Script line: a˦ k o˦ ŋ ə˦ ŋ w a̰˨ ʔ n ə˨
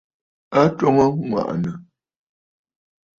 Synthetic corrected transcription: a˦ t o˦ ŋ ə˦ ŋ w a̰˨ ʔ n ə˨